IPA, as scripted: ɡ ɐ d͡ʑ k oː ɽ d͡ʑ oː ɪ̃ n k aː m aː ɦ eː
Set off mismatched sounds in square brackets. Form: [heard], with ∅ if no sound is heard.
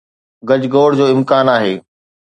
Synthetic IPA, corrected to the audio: ɡ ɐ d͡ʑ [ɡ] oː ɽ d͡ʑ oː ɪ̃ [m] k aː [n] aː ɦ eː